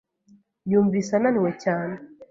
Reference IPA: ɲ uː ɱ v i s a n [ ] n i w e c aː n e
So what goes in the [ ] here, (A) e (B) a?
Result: B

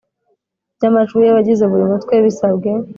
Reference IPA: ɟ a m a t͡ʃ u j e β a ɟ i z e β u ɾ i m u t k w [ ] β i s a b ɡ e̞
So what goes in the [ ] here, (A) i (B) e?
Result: B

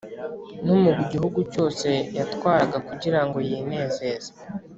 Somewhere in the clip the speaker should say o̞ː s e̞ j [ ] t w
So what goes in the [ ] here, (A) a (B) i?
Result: A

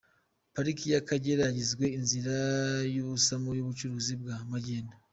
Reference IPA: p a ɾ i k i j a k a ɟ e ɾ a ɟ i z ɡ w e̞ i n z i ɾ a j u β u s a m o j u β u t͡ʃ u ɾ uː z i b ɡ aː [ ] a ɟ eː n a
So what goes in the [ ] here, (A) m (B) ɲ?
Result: A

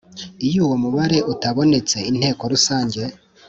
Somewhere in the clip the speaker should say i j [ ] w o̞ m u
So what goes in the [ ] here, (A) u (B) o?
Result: A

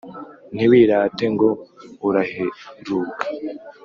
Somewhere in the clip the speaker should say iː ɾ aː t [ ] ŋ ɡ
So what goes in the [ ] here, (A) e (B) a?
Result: A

